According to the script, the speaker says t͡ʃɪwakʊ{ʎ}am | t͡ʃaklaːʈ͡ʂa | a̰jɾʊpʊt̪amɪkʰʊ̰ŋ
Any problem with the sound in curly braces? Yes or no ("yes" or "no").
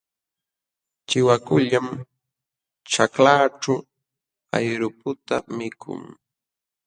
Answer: no